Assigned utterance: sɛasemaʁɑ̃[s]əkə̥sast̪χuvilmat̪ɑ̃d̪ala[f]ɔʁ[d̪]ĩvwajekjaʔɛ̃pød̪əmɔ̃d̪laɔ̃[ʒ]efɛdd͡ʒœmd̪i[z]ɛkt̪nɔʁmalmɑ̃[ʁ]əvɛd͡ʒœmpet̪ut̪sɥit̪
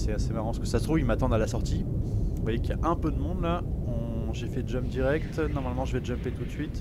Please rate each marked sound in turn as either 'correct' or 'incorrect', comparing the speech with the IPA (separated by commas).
correct, incorrect, incorrect, correct, incorrect, incorrect